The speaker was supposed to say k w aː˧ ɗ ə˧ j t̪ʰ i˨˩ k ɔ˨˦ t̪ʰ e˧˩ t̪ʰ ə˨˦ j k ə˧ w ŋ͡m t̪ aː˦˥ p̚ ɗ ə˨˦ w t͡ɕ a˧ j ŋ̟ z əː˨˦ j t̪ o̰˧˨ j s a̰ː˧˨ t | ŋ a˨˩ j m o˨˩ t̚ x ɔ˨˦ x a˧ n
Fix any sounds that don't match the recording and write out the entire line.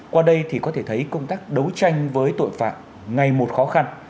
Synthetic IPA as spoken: k w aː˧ ɗ ə˧ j t̪ʰ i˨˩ k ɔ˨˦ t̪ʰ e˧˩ t̪ʰ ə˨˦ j k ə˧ w ŋ͡m t̪ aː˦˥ k̚ ɗ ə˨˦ w t͡ɕ a˧ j ŋ̟ v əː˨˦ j t̪ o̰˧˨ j f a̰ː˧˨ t | ŋ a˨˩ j m o˨˩ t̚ x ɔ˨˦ x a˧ n